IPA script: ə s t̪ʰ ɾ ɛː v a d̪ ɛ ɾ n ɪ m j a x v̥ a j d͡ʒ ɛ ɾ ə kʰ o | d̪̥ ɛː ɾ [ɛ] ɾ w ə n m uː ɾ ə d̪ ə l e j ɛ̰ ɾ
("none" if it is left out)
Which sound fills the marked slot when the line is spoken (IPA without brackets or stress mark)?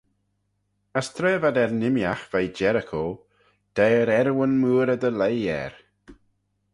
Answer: ɛ